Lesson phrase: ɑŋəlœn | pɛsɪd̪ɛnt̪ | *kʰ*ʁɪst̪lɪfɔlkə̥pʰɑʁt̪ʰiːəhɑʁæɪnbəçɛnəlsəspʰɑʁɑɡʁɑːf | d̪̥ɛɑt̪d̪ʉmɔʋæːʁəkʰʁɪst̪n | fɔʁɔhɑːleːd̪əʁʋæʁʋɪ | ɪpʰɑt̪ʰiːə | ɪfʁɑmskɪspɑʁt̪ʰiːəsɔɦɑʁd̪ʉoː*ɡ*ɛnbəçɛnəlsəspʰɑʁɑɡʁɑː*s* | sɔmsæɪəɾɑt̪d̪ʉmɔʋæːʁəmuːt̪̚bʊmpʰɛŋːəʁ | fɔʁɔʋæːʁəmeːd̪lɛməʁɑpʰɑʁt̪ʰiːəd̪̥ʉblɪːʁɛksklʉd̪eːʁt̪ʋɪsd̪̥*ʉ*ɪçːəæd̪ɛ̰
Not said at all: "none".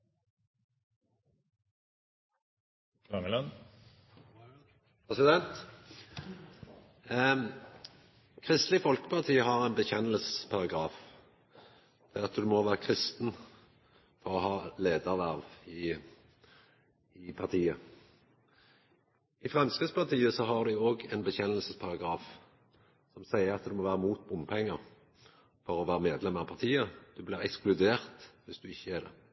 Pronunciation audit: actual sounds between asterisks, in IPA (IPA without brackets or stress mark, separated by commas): kʰ, ɡ, f, ʉ